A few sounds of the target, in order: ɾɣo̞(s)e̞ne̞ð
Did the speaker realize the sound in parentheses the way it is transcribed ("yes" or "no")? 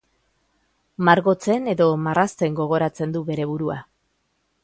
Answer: no